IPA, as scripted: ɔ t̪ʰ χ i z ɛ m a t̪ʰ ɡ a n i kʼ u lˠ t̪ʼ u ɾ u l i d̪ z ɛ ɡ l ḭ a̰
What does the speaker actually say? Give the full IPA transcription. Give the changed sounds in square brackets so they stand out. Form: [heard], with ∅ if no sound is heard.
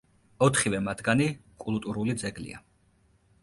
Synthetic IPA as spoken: ɔ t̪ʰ χ i [v] ɛ m a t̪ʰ ɡ a n i kʼ u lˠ t̪ʼ u ɾ u l i d̪ z ɛ ɡ l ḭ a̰